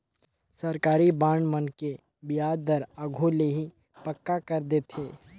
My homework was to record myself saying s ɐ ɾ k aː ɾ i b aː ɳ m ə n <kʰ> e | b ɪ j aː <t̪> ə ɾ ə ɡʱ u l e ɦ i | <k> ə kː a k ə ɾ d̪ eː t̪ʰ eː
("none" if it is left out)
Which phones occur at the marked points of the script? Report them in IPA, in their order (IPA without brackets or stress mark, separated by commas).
k, d̪, p